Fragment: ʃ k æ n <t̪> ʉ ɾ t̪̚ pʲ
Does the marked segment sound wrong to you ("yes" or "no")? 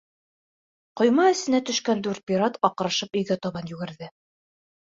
yes